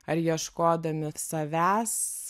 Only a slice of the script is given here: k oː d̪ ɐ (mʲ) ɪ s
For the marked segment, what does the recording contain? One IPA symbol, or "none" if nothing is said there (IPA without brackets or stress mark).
mʲ